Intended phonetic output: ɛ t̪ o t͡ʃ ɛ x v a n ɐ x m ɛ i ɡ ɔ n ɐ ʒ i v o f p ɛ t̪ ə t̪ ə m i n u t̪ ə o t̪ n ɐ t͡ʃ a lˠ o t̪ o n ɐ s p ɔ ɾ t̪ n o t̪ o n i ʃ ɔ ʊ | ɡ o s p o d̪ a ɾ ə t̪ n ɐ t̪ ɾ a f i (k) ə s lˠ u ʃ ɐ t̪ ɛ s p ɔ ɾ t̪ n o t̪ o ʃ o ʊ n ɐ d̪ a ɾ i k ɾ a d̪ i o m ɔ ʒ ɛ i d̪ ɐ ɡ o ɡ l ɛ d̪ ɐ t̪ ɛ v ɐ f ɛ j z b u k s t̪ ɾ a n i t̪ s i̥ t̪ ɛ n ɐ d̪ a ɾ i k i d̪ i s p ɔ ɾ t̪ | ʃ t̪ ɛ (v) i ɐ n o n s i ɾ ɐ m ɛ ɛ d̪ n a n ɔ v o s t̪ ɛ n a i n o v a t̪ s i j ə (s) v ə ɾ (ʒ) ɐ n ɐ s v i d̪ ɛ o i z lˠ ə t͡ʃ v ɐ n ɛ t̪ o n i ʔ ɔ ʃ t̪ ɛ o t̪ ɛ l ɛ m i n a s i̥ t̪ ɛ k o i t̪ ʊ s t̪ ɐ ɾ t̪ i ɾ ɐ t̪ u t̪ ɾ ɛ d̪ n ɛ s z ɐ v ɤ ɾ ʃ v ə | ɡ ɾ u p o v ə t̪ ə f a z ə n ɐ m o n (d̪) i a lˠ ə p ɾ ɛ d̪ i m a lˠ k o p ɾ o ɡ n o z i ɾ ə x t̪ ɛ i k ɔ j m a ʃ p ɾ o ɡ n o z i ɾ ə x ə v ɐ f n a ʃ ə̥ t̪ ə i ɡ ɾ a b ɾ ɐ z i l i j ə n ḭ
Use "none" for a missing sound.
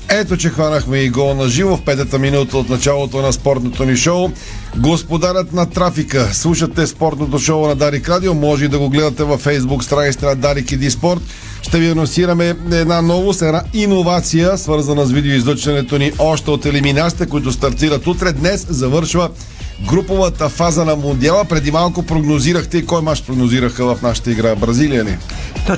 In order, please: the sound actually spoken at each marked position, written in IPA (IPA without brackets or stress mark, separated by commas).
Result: k, v, s, z, d̪